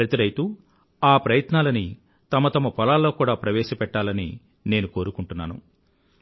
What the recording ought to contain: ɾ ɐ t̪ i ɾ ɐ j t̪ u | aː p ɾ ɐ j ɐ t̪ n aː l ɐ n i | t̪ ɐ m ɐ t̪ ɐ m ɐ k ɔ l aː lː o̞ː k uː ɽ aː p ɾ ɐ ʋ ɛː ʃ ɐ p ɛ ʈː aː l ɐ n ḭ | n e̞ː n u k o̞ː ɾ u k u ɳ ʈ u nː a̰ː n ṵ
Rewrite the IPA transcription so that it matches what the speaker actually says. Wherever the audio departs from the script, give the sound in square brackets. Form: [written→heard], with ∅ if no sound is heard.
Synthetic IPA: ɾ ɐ t̪ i ɾ ɐ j t̪ u | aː p ɾ ɐ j ɐ t̪ n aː l ɐ n i | t̪ ɐ m ɐ t̪ ɐ m ɐ [k→p] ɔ l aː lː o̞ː k uː ɽ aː p ɾ ɐ ʋ ɛː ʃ ɐ p ɛ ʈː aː l ɐ n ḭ | n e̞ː n u k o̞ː ɾ u k u ɳ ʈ u nː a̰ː n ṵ